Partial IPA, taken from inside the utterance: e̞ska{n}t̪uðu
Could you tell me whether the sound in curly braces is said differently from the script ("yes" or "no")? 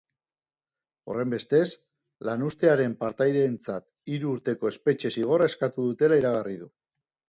yes